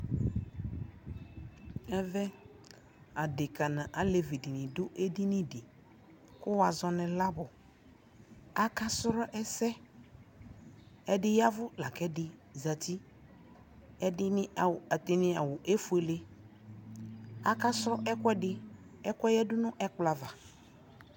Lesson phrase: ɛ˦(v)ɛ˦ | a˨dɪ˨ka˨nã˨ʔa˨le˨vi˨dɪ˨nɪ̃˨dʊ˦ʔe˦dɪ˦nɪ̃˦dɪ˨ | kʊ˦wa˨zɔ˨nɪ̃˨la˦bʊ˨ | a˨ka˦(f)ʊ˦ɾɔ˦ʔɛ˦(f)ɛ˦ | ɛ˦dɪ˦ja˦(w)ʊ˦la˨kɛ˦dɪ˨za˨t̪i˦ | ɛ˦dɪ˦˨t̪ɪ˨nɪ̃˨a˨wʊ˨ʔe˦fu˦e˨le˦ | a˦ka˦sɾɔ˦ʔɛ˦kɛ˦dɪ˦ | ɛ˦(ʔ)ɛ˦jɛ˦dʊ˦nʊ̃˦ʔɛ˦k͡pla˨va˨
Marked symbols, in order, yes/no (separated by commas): yes, no, no, no, no